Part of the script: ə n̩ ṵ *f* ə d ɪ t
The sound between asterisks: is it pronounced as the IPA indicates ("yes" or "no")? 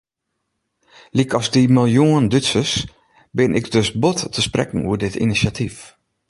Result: no